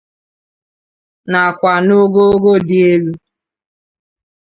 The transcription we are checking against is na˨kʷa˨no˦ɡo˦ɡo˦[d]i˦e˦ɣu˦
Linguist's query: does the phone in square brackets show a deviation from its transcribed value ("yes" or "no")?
no